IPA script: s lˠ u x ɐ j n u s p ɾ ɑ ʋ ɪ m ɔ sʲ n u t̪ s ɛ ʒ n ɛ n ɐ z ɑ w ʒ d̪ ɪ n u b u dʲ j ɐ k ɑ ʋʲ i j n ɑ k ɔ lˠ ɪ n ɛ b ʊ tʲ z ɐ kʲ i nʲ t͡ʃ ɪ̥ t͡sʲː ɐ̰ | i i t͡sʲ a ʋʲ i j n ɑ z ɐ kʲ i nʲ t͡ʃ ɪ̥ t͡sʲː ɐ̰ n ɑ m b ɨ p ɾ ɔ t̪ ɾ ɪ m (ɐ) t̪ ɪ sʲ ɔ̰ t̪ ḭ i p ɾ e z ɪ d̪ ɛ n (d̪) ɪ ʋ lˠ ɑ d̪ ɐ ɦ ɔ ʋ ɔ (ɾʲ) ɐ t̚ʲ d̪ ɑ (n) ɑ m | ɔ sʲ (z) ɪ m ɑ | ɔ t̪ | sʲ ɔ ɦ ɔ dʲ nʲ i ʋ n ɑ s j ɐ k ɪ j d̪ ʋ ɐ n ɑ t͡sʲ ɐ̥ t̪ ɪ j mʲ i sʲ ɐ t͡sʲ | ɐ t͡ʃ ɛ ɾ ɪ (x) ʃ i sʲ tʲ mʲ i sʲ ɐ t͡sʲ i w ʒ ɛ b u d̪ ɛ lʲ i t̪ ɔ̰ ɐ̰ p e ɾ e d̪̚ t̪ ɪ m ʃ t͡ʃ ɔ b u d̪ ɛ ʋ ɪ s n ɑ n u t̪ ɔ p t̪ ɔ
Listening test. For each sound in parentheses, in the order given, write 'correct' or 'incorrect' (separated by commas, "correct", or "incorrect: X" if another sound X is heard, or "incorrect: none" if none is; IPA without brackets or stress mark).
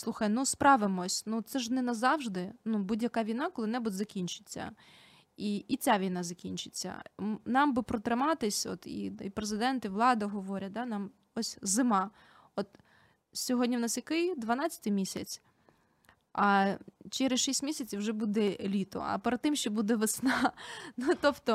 incorrect: ɑ, incorrect: t̪, correct, correct, correct, incorrect: s